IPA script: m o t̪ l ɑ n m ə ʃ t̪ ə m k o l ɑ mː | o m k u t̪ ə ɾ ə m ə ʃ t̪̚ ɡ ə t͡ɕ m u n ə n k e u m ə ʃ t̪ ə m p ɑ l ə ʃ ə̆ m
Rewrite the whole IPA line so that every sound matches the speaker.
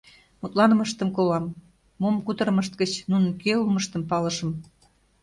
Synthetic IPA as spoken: m u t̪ l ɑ n m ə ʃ t̪ ə m k o l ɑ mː | o m k u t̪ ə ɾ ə m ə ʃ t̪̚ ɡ ə t͡ɕ n u n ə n k e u m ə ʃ t̪ ə m p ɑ l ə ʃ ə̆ m